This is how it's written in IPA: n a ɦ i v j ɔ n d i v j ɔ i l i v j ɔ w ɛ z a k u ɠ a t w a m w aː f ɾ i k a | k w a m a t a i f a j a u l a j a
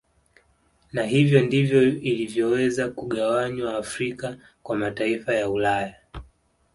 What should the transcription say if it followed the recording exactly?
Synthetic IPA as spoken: n a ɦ i v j ɔ n d i v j ɔ i l i v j ɔ w ɛ z a k u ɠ a w a ɲ w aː f ɾ i k a | k w a m a t a i f a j a u l a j a